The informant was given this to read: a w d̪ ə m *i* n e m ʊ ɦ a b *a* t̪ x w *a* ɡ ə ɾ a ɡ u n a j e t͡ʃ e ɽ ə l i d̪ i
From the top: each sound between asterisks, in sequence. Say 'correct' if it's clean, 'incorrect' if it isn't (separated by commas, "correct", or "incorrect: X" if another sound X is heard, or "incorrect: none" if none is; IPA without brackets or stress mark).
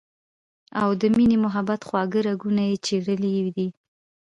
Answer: correct, correct, incorrect: ɑ